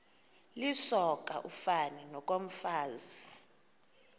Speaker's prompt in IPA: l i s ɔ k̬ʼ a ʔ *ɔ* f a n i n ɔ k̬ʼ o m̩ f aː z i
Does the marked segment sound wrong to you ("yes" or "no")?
yes